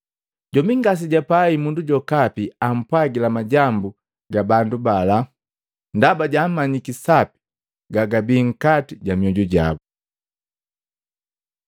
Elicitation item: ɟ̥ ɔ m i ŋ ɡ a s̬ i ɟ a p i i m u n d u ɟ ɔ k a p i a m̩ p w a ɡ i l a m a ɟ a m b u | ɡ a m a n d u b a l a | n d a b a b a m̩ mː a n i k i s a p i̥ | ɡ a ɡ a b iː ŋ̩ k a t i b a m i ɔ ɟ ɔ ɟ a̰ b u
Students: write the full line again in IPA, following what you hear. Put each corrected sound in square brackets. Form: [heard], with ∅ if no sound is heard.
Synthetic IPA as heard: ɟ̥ ɔ m i ŋ ɡ a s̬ i ɟ a p [a] i m u n d u ɟ ɔ k a p i a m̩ p w a ɡ i l a m a ɟ a m b u | ɡ a [b] a n d u b a l a | n d a b a [ɟ] a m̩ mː a [ɲ] i k i s a p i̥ | ɡ a ɡ a b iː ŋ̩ k a t i [ɟ] a m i ɔ ɟ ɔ ɟ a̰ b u